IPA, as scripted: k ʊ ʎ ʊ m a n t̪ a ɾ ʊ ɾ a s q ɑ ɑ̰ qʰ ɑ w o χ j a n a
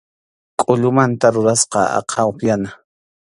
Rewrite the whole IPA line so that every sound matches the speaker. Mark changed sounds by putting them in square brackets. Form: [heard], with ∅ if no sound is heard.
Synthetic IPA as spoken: [kʼ] ʊ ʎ ʊ m a n t̪ a ɾ ʊ ɾ a s q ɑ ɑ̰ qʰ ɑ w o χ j a n a